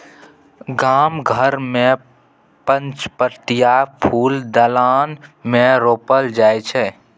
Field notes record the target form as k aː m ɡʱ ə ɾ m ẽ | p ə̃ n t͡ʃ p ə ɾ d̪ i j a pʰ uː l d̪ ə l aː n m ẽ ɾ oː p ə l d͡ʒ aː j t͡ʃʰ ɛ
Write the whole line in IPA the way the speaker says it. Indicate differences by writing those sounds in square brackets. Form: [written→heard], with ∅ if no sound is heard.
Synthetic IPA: [k→ɡ] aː m ɡʱ ə ɾ m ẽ | p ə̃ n t͡ʃ p ə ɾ [d̪→t̪] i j a pʰ uː l d̪ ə l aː n m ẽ ɾ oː p ə l d͡ʒ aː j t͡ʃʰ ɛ